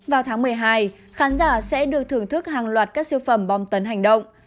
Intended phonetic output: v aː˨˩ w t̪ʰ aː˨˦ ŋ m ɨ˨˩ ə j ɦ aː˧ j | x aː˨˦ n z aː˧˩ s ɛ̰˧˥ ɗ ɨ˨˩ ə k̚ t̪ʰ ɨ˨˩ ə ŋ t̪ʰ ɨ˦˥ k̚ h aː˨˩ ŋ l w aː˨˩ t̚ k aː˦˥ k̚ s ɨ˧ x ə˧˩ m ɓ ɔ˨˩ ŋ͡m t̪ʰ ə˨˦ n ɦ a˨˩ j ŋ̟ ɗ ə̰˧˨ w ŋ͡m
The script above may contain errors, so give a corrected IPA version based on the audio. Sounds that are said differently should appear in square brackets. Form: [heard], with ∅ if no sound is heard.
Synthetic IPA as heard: v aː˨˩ w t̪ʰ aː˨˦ ŋ m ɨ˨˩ ə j ɦ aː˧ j | x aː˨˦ n z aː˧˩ s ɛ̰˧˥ ɗ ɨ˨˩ ə k̚ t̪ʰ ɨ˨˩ ə ŋ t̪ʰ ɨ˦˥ k̚ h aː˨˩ ŋ l w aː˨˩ t̚ k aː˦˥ k̚ s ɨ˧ [f] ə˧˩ m ɓ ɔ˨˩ ŋ͡m [t̪] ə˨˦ n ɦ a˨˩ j ŋ̟ ɗ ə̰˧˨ w ŋ͡m

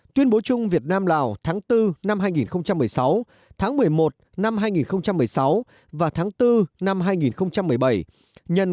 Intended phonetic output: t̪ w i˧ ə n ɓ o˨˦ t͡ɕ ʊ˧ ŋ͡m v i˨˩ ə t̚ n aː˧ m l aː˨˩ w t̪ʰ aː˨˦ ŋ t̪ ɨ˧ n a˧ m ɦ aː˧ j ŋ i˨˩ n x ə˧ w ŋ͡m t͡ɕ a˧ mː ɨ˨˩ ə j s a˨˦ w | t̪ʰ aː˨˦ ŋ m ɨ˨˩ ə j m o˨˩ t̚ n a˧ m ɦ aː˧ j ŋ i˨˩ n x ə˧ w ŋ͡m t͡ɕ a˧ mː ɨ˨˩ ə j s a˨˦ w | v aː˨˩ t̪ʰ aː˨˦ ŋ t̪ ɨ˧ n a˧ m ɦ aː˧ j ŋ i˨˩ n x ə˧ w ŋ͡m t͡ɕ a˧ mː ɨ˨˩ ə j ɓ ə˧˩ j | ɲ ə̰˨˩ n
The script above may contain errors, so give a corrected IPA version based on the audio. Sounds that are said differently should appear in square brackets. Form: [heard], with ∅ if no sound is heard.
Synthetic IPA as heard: t̪ w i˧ ə n ɓ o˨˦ t͡ɕ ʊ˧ ŋ͡m v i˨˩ ə t̚ n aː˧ m l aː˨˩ w t̪ʰ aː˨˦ ŋ t̪ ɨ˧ n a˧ m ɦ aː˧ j ŋ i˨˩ n x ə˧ w ŋ͡m t͡ɕ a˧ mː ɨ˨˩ ə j s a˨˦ w | t̪ʰ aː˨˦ ŋ m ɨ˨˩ ə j m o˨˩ t̚ n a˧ m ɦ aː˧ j ŋ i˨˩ n x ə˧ w ŋ͡m t͡ɕ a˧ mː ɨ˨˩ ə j s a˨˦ w | v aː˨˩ t̪ʰ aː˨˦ ŋ t̪ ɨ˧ n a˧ m ɦ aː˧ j ŋ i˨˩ n x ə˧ w ŋ͡m t͡ɕ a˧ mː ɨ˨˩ ə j ɓ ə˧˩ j | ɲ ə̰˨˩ n

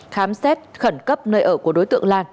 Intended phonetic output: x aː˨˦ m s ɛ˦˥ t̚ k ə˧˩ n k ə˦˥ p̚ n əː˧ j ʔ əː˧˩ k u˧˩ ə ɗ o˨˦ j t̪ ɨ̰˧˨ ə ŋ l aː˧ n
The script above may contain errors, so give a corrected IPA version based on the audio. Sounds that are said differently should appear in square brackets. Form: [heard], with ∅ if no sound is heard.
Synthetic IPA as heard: x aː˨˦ m s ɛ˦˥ t̚ [x] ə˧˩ n k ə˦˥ p̚ n əː˧ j ʔ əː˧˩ k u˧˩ ə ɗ o˨˦ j t̪ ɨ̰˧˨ ə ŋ l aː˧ n

